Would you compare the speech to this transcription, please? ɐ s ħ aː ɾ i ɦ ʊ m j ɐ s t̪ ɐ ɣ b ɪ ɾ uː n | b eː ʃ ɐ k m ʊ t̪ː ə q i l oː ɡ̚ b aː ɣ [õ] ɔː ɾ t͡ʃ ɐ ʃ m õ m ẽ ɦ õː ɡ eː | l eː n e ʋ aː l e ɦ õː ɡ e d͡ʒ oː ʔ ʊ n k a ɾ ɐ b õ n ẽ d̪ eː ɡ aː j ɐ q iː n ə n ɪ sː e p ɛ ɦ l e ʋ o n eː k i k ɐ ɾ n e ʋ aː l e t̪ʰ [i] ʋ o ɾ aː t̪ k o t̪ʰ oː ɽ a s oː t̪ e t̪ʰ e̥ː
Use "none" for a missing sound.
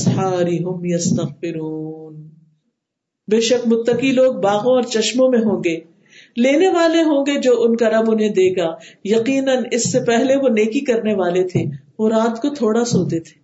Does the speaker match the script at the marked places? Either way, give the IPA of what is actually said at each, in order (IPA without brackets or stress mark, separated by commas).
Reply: õ, e